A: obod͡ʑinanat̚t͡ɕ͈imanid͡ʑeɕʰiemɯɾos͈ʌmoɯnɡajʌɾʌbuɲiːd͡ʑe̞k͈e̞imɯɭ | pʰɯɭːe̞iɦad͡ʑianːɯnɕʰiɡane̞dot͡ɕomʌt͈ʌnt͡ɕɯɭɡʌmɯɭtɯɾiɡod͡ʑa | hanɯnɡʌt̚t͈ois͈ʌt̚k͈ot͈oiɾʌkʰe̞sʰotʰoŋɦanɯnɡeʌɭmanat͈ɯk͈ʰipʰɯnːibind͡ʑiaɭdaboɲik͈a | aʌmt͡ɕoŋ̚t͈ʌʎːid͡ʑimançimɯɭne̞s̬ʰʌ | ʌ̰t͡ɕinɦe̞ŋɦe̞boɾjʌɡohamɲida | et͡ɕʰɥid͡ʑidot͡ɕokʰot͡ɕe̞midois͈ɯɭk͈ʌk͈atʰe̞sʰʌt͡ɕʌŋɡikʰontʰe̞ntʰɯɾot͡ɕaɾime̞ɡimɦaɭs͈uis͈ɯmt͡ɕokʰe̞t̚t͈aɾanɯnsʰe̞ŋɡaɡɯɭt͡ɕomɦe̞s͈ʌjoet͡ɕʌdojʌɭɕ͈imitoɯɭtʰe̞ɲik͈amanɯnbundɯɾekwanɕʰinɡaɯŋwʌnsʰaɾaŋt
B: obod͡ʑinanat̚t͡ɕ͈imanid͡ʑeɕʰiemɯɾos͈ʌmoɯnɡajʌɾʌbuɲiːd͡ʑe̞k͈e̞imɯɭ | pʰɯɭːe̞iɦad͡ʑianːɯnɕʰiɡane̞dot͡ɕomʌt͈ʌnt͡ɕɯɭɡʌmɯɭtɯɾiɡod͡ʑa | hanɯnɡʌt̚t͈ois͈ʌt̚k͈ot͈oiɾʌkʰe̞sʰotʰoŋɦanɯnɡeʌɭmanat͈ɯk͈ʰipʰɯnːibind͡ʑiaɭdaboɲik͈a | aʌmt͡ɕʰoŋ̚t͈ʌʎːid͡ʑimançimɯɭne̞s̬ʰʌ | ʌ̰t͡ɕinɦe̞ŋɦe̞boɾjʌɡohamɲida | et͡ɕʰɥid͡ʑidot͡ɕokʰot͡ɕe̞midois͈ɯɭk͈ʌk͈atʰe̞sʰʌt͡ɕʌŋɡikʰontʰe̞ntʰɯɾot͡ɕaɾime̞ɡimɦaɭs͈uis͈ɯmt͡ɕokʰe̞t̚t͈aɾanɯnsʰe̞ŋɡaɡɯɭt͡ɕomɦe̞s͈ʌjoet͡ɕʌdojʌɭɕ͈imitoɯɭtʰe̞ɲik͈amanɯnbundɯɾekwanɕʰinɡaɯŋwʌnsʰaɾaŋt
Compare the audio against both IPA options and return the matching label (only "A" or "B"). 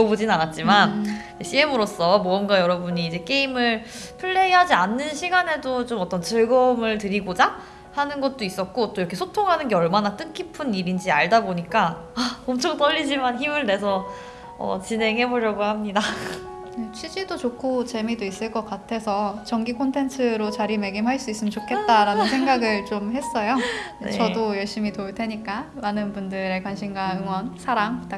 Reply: B